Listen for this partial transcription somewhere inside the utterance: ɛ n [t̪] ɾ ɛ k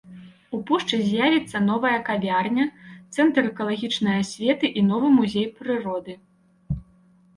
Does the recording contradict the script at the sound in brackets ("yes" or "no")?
no